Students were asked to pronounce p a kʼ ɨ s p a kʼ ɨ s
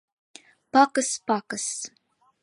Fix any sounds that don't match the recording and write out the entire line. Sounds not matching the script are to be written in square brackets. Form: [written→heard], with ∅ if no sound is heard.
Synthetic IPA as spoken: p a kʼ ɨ s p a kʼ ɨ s